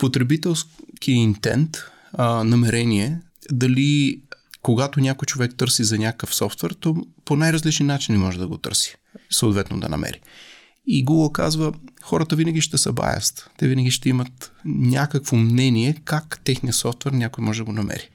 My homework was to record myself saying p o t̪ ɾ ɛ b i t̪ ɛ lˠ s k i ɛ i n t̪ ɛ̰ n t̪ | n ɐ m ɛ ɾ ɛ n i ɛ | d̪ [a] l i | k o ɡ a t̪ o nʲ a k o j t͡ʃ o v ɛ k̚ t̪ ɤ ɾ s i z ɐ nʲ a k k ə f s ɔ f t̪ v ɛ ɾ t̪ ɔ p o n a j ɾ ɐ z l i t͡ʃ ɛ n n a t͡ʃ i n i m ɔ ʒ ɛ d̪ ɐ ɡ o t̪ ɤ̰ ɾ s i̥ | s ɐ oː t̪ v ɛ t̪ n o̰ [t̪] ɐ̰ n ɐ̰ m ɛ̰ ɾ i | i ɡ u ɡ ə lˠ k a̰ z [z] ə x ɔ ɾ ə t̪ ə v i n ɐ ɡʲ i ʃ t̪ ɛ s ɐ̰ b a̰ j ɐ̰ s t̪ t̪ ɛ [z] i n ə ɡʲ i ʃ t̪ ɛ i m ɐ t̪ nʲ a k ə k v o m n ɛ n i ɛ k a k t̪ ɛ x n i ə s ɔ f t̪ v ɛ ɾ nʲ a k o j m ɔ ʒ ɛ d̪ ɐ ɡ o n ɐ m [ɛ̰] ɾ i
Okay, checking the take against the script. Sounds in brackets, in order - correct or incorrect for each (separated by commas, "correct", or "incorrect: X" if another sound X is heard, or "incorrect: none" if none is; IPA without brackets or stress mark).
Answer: incorrect: ɐ, incorrect: d̪, incorrect: v, incorrect: v, correct